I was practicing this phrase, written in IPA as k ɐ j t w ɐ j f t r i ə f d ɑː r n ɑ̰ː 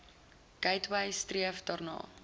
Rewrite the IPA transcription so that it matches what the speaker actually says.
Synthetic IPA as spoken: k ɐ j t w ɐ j s t r i ə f d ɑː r n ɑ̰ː